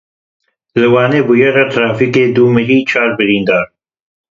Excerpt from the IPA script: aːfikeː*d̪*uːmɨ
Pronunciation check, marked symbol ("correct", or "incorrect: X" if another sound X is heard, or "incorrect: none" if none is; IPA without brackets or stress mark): correct